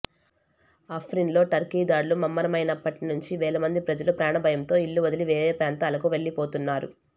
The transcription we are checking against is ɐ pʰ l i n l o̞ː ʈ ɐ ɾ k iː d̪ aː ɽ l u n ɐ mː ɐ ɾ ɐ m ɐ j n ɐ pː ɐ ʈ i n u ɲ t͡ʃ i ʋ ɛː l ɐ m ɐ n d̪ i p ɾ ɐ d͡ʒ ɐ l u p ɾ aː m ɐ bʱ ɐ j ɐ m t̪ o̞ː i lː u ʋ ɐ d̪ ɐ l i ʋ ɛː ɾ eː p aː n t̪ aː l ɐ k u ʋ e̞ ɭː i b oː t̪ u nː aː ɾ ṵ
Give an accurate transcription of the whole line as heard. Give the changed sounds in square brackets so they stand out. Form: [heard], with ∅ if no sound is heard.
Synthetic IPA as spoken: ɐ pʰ [ɾ] i n l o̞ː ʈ ɐ ɾ k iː d̪ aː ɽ l u [m] ɐ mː ɐ ɾ ɐ m ɐ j n ɐ pː ɐ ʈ i n u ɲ t͡ʃ i ʋ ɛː l ɐ m ɐ n d̪ i p ɾ ɐ d͡ʒ ɐ l u p ɾ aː [ɳ] ɐ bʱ ɐ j ɐ m t̪ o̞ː i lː u ʋ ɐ d̪ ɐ l i ʋ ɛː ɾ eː p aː n t̪ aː l ɐ k u ʋ e̞ ɭː i [p] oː t̪ u nː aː ɾ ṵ